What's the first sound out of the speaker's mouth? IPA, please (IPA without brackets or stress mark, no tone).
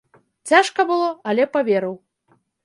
t͡sʲ